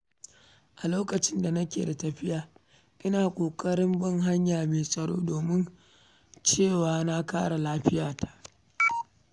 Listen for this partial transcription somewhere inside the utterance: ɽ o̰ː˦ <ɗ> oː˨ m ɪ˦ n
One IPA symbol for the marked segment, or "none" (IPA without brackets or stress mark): d